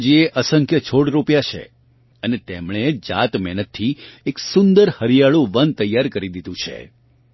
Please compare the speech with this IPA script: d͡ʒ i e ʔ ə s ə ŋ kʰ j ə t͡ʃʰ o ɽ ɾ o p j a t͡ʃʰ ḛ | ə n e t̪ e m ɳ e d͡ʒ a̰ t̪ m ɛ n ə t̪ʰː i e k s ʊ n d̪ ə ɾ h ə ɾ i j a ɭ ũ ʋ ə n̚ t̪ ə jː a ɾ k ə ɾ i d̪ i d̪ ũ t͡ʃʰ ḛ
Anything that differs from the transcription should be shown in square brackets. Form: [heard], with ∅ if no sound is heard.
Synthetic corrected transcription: d͡ʒ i e ʔ ə s ə ŋ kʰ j ə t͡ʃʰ o ɽ ɾ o p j a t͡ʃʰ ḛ | ə n e t̪ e m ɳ e d͡ʒ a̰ t̪ m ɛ n ə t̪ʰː i e k s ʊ n d̪ ə ɾ h ə ɾ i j a ɭ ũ ʋ ə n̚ t̪ ə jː a ɾ k ə ɾ i d̪ i d̪ ũ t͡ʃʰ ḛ